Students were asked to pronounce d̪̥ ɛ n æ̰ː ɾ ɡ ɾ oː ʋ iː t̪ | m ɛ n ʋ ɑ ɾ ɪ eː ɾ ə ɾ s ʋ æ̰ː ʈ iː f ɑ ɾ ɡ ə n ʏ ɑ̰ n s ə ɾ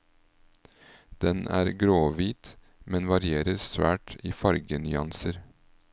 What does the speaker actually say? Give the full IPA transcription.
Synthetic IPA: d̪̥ ɛ n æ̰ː ɾ ɡ ɾ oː ʋ iː t̪ | m ɛ n ʋ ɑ ɾ ɪ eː ɾ ə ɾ s ʋ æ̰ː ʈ iː f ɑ ɾ ɡ ə n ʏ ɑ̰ n s ə ɾ